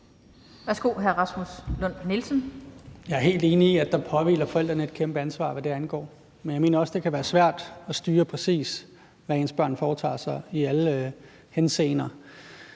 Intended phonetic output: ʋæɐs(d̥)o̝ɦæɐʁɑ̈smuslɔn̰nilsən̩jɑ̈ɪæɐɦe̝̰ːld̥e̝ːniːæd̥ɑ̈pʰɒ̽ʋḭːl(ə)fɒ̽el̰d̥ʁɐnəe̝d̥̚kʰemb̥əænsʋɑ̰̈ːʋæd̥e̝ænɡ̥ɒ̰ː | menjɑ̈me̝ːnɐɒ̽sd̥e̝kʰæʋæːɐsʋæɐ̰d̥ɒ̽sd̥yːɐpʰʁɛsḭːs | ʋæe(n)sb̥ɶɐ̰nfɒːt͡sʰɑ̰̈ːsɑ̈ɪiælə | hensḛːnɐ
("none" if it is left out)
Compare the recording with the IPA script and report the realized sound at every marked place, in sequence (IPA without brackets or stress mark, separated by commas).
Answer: ɡ̥, ɐ, n